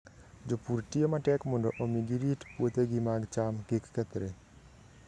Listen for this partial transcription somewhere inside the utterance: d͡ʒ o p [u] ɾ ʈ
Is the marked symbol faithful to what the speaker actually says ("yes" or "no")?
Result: yes